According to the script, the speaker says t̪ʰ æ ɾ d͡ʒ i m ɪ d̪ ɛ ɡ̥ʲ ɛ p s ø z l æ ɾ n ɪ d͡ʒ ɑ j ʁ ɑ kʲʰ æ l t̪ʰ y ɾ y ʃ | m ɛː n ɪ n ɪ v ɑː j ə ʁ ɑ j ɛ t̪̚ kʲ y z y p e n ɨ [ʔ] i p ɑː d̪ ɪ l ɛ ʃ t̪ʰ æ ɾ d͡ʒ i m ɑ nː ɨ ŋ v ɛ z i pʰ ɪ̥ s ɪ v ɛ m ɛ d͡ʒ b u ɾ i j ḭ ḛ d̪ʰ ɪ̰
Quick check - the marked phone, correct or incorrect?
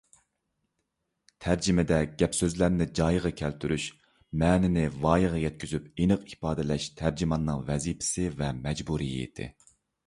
incorrect